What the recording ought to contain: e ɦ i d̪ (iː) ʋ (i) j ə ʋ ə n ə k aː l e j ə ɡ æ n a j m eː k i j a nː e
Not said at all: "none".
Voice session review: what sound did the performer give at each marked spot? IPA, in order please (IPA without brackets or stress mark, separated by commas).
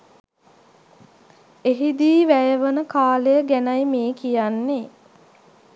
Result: iː, æ